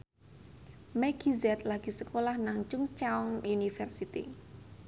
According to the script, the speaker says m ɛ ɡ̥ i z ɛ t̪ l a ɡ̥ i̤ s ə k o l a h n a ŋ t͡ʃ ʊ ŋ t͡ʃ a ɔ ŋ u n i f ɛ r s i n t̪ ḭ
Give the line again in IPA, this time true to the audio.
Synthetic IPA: m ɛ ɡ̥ i z ɛ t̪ l a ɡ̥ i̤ s ə k o l a h n a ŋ t͡ʃ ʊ ŋ t͡ʃ a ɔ ŋ u n i f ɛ r s i t̪ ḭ